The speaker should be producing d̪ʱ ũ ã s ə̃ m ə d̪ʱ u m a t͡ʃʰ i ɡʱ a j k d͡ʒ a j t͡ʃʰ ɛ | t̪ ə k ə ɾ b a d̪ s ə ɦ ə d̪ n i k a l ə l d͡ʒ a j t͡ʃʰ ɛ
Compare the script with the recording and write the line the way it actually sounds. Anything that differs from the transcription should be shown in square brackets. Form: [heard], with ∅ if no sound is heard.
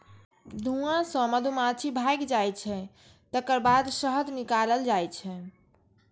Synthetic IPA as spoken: d̪ʱ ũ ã s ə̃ m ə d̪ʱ u m a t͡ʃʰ i [bʱ] a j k d͡ʒ a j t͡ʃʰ ɛ | t̪ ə k ə ɾ b a d̪ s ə ɦ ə d̪ n i k a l ə l d͡ʒ a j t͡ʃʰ ɛ